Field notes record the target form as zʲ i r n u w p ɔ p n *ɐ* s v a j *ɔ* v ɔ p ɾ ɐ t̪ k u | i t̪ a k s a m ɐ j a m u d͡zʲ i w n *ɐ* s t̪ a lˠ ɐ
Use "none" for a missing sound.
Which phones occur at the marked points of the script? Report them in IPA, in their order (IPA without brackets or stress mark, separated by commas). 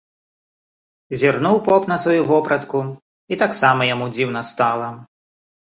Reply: ɐ, u, ɐ